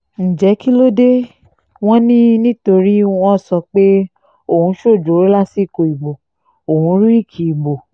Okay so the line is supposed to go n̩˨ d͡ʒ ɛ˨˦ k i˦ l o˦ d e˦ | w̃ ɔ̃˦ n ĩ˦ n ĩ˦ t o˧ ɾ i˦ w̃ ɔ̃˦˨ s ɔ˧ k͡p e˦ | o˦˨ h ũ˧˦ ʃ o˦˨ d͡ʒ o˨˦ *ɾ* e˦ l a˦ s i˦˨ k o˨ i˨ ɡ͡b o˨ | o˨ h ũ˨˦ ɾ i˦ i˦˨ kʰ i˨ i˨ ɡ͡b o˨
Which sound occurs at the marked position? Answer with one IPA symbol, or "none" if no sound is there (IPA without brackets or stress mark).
ɾ